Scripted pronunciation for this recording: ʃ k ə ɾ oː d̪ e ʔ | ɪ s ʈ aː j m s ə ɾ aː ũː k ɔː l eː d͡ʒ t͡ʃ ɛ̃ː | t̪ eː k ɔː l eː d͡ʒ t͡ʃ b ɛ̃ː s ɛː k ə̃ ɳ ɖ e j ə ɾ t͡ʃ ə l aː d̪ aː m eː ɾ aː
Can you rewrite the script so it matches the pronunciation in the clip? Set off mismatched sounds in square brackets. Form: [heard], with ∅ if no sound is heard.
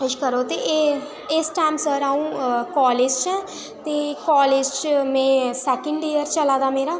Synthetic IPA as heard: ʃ k ə ɾ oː [t̪] e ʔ | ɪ s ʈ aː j m s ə ɾ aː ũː k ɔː l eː d͡ʒ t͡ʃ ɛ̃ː | t̪ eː k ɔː l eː d͡ʒ t͡ʃ [m] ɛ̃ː s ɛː k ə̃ ɳ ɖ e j ə ɾ t͡ʃ ə l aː d̪ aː m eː ɾ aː